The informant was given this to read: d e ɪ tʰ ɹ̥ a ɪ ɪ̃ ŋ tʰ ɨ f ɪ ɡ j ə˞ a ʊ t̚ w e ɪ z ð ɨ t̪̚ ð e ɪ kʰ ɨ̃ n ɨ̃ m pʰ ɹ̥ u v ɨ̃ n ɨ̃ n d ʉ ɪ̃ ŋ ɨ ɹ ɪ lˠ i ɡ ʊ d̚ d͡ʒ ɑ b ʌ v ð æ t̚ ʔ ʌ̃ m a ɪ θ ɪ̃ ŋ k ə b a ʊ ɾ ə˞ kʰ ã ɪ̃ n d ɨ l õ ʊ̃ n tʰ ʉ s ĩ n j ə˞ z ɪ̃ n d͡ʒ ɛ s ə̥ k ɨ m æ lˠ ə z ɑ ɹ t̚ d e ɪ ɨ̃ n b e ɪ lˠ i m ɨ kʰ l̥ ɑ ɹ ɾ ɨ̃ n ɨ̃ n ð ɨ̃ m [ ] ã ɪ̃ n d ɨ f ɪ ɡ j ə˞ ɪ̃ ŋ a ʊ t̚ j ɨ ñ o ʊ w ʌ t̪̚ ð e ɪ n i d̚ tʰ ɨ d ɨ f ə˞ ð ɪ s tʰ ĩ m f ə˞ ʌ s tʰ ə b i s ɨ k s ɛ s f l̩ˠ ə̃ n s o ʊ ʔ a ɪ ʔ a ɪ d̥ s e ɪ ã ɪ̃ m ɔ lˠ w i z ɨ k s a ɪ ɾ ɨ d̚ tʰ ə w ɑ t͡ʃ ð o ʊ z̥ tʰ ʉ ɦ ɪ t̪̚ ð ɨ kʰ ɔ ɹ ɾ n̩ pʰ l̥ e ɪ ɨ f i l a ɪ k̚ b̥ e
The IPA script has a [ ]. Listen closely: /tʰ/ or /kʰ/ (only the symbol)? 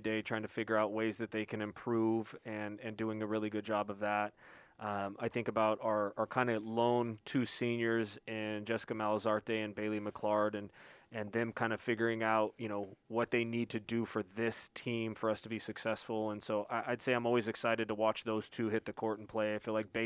kʰ